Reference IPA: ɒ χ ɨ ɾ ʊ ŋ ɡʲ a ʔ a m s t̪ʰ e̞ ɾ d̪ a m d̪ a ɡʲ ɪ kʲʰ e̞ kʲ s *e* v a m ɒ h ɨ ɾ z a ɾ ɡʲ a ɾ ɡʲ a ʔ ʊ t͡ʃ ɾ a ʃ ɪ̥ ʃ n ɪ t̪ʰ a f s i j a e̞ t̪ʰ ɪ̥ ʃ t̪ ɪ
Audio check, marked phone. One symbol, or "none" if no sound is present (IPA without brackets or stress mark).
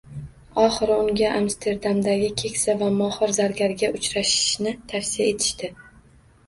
a